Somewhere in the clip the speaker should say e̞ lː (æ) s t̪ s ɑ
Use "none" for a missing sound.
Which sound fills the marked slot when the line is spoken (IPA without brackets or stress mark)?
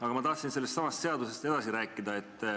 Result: e